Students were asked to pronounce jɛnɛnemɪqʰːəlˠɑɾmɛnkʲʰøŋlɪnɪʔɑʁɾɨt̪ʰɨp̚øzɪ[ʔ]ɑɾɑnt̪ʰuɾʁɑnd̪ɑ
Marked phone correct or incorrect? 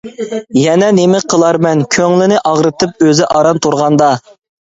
correct